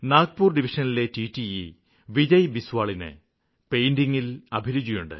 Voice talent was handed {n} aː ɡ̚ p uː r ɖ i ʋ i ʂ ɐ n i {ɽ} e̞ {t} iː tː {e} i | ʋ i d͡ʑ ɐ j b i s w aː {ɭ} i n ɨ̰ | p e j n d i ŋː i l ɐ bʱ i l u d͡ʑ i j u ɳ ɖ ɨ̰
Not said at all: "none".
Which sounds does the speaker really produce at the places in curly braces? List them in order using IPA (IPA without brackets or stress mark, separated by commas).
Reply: n, l, t, i, ɭ